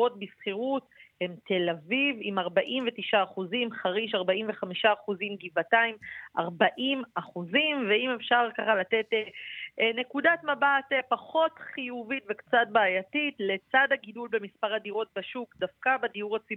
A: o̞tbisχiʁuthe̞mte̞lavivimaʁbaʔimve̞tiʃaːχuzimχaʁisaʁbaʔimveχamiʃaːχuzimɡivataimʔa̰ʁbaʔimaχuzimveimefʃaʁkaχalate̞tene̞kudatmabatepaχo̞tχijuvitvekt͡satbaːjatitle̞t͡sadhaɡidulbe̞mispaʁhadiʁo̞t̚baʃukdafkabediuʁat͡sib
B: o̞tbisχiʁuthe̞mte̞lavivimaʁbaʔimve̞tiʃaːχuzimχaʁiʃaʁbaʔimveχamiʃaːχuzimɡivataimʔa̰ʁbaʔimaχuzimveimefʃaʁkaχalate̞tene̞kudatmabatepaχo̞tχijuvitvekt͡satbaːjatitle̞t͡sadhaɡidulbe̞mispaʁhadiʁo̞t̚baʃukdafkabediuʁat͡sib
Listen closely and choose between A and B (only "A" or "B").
B